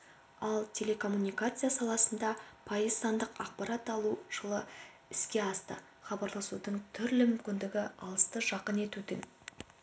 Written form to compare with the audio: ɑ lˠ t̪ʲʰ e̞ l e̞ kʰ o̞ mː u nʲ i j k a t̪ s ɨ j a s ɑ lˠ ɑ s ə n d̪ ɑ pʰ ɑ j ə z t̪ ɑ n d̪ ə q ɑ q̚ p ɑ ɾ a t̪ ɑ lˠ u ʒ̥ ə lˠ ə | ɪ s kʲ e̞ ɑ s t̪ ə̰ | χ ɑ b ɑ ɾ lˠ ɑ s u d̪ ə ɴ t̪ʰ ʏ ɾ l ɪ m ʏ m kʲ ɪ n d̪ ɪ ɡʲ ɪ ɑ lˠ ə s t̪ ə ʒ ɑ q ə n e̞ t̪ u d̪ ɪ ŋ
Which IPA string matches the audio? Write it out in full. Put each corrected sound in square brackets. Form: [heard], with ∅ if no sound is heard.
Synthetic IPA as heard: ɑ lˠ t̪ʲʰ e̞ l e̞ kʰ o̞ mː u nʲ i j k a t̪ s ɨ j a s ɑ lˠ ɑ s ə n d̪ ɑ pʰ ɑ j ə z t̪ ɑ n d̪ ə q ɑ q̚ p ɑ ɾ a t̪ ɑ lˠ u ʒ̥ ə lˠ ə | ɪ s kʲ e̞ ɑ s t̪ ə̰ | χ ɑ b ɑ ɾ lˠ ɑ s u d̪ ə ɴ t̪ʰ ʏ ɾ l ɪ m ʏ m kʲ ɪ n d̪ ɪ ɡʲ ɪ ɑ lˠ ə s t̪ ə ʒ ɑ q ə n e̞ t̪ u d̪ ɪ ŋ